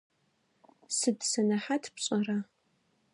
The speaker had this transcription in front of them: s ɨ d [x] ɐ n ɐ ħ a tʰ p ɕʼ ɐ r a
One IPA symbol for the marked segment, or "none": s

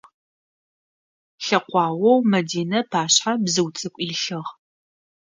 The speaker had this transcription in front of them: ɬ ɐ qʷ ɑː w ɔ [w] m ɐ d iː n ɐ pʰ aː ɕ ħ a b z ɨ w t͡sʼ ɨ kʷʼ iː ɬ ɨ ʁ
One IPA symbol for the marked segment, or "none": w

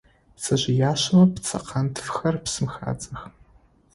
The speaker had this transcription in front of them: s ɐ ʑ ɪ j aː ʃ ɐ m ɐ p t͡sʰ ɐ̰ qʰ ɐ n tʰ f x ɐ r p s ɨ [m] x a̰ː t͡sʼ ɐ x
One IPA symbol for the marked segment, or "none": m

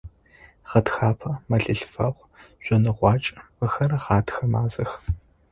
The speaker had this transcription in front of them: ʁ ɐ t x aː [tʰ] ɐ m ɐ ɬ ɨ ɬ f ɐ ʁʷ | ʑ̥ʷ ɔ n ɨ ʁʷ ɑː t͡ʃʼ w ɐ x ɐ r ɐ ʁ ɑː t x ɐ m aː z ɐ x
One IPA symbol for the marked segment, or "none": pʰ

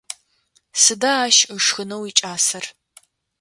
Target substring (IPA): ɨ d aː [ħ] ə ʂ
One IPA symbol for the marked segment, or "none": ʃ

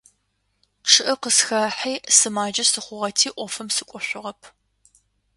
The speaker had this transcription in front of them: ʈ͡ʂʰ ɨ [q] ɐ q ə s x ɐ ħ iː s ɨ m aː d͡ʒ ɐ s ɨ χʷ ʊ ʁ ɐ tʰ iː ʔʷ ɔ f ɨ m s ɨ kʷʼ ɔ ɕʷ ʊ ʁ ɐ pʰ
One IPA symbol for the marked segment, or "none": ʔ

